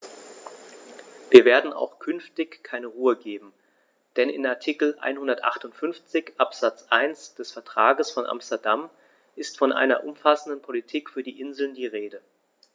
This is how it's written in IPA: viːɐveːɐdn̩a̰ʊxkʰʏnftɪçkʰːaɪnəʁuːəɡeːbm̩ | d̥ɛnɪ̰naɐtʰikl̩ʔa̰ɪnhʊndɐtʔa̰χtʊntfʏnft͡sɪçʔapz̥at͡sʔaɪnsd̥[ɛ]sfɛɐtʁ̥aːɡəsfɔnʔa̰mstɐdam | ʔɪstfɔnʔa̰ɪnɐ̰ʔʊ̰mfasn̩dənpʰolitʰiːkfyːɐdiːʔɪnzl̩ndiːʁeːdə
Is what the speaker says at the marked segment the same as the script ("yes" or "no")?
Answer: yes